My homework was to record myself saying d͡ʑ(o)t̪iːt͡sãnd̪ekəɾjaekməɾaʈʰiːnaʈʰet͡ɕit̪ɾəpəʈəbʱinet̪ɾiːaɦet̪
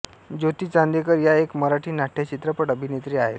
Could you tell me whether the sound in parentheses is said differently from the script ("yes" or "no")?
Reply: no